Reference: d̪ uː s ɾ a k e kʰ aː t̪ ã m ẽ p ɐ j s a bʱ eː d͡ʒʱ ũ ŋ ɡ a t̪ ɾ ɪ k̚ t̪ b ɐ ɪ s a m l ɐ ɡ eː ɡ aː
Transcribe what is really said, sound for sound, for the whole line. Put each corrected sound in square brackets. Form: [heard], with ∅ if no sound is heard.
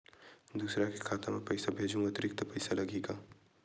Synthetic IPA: d̪ uː s ɾ a k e kʰ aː t̪ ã m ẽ p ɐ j s a bʱ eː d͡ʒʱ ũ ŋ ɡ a t̪ ɾ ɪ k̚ t̪ [p] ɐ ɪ s a [∅] l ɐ ɡ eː ɡ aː